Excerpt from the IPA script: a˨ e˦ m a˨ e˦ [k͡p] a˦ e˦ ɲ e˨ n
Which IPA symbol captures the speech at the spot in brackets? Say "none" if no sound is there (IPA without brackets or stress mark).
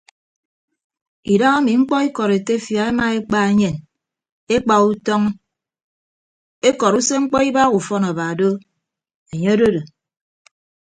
k͡p